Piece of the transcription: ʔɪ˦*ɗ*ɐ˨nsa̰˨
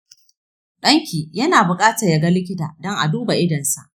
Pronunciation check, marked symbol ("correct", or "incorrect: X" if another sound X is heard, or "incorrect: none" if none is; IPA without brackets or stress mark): incorrect: d